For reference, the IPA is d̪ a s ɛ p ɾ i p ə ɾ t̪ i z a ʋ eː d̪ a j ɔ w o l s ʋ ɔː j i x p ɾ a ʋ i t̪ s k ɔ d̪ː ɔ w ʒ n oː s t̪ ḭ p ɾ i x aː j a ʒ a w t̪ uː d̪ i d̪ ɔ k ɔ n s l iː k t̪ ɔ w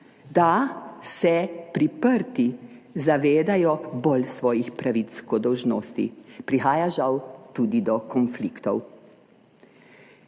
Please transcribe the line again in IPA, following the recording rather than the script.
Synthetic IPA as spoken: d̪ a s ɛ p ɾ i p ə ɾ t̪ i z a ʋ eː d̪ a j ɔ b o l s ʋ ɔː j i x p ɾ a ʋ i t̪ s k ɔ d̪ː ɔ w ʒ n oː s t̪ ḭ p ɾ i x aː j a ʒ a w t̪ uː d̪ i d̪ ɔ k ɔ n f l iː k t̪ ɔ w